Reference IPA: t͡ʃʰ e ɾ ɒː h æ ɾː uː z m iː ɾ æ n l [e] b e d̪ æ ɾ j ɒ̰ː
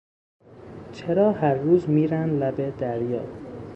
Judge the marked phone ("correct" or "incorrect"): incorrect